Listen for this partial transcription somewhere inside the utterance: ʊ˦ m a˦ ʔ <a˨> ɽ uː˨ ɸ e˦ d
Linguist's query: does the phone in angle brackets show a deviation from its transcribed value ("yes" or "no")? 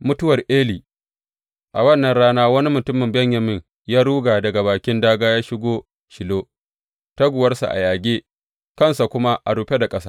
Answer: no